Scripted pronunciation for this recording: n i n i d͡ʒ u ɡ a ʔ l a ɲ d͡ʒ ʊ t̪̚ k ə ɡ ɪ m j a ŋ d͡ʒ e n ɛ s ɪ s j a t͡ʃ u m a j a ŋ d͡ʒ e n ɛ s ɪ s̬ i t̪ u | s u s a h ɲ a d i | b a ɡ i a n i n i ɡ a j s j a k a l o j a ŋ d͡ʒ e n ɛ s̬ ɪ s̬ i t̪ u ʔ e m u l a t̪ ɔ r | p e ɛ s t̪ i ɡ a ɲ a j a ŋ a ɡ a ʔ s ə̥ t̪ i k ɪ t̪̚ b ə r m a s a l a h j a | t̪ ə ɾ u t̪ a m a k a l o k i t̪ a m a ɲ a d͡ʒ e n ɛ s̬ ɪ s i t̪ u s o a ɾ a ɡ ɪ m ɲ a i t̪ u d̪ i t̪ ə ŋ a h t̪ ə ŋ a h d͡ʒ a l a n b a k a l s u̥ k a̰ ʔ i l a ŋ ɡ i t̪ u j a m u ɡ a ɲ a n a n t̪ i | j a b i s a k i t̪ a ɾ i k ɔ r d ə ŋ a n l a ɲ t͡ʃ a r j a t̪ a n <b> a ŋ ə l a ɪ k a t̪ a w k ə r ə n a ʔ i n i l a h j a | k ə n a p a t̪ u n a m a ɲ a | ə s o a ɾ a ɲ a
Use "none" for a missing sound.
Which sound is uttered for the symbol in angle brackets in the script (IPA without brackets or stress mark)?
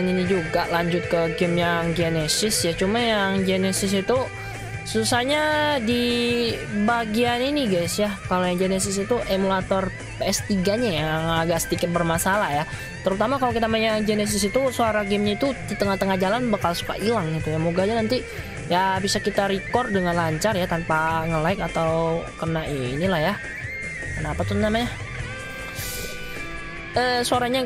p